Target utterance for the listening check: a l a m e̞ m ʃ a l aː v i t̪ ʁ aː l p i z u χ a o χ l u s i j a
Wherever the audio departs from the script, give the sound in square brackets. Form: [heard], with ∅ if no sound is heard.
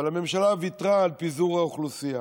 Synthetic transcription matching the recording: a l a m e̞ m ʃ a l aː v i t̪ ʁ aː l p i z u [ʁ] a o χ l u s i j a